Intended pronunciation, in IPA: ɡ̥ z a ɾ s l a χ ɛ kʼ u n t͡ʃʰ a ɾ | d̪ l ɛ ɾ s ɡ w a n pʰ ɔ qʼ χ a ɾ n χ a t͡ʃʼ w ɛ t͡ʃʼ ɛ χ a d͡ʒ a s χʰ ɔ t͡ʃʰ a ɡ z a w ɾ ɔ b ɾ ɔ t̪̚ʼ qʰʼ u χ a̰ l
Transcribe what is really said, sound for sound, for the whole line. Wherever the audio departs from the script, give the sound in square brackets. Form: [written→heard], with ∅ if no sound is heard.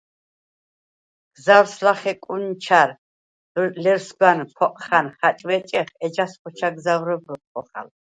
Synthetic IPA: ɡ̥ z a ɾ s l a χ ɛ kʼ u n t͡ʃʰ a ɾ | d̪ l ɛ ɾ s ɡ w a n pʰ ɔ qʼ χ a [ɾ→∅] n χ a t͡ʃʼ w ɛ t͡ʃʼ ɛ χ [a→ɛ] d͡ʒ a s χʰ ɔ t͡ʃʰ a ɡ z a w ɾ ɔ b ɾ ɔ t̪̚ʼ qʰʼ [u→ɔ] χ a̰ l